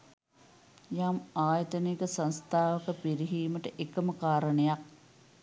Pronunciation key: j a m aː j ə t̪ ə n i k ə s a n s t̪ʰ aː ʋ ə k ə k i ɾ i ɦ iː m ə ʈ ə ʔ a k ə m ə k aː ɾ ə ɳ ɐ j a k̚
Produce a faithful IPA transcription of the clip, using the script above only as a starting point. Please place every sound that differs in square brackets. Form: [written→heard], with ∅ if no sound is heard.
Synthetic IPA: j a m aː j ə t̪ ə n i k ə s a n s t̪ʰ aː ʋ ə k ə [k→p] i ɾ i ɦ iː m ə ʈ ə ʔ [a→e] k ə m ə k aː ɾ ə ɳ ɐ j a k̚